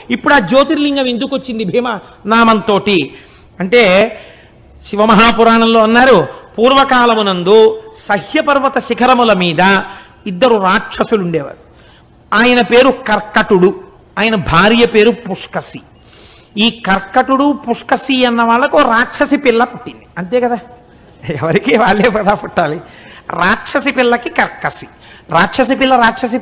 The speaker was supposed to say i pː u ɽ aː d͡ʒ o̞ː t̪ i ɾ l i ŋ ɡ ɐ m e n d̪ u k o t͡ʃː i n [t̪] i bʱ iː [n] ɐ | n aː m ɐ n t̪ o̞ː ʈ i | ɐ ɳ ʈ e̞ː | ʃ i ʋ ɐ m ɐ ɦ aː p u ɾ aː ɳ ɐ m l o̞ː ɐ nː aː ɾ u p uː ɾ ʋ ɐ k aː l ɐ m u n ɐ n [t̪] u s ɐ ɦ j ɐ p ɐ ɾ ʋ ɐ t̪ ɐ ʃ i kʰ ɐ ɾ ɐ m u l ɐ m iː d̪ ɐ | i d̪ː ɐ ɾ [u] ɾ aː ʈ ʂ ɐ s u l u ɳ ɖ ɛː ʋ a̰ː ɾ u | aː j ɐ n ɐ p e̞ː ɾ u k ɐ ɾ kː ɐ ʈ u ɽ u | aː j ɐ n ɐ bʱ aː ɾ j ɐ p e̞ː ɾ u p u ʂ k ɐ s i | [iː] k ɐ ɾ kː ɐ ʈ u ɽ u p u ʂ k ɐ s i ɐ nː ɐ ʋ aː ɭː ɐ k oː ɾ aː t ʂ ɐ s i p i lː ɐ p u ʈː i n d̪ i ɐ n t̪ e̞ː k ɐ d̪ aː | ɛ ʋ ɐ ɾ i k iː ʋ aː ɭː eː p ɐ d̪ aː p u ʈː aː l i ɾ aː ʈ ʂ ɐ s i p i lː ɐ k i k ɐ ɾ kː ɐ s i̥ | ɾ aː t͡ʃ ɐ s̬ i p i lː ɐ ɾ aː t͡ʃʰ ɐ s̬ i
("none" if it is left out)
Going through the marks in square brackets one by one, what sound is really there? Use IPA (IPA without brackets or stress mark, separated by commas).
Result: d̪, m, d̪, u, iː